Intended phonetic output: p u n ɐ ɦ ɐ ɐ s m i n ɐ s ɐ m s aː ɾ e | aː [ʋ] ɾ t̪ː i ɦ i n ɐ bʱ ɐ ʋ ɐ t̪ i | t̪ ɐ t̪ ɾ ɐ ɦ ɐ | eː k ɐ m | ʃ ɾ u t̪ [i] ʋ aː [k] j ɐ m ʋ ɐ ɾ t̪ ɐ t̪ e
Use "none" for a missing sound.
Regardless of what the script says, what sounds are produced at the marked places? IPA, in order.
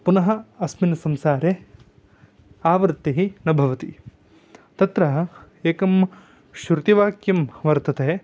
ʋ, i, k

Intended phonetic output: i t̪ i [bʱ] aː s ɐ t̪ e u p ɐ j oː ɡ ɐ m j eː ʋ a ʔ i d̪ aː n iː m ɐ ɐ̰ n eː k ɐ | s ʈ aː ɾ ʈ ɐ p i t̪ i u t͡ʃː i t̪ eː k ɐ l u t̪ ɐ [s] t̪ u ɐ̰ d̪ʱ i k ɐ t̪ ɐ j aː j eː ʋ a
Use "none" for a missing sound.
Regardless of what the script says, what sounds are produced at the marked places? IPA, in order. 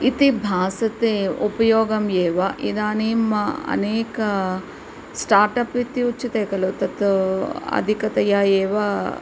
bʱ, none

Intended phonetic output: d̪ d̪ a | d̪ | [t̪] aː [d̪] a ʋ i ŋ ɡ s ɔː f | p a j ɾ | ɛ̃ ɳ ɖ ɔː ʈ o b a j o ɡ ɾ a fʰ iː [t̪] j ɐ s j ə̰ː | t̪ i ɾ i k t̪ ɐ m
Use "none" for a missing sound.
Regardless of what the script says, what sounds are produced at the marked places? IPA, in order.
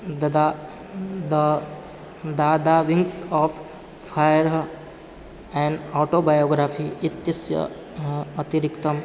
d̪, d̪, t̪

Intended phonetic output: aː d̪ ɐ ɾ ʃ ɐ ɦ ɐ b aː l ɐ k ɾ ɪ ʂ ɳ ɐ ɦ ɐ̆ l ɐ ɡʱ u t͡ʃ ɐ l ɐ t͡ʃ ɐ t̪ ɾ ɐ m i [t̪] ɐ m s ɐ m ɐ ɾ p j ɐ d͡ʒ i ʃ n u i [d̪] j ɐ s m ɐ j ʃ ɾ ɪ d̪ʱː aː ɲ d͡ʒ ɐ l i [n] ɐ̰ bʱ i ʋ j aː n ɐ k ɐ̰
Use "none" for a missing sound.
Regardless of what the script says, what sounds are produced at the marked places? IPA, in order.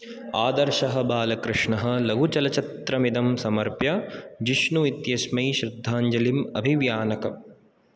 d̪, t̪, m

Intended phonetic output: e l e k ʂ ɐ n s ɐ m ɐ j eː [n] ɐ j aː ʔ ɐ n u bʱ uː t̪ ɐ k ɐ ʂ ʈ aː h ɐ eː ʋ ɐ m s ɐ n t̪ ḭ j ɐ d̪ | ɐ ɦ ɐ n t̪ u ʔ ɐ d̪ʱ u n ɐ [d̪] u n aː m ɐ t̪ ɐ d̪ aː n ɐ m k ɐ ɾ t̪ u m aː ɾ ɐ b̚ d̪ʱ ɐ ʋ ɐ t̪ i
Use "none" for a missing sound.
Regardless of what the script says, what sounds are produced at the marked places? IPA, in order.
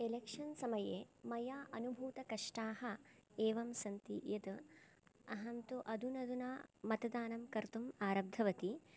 m, d̪

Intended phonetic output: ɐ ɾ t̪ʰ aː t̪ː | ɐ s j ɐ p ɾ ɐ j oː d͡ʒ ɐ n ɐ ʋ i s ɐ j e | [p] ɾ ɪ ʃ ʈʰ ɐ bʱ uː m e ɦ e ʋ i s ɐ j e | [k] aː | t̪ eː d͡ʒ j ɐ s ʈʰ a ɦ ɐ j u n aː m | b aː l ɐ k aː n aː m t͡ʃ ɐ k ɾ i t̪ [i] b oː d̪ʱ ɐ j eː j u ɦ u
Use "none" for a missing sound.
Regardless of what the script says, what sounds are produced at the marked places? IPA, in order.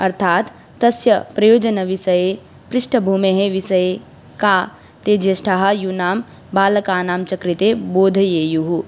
p, k, e

